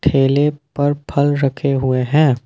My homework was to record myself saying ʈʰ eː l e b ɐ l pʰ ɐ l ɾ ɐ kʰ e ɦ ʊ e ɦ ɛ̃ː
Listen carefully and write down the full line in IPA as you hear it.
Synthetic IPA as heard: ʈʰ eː l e p ɐ ɾ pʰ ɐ l ɾ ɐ kʰ e ɦ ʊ e ɦ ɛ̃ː